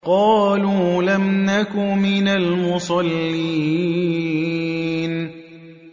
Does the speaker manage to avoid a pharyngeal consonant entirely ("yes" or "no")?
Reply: yes